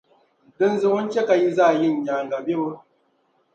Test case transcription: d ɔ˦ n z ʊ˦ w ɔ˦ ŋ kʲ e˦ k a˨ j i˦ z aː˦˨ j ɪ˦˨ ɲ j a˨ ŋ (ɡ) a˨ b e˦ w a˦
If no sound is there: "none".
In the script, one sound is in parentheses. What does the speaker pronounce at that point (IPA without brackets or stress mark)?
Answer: ɡ